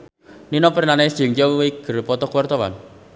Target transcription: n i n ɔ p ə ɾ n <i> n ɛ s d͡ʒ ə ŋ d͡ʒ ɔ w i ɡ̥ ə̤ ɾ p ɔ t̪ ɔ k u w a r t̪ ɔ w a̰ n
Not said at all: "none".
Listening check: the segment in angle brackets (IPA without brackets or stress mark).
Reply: a